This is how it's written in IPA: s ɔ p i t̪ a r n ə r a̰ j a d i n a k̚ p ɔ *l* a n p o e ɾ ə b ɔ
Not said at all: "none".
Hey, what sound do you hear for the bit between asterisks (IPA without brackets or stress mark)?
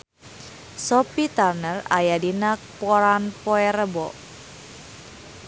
ɾ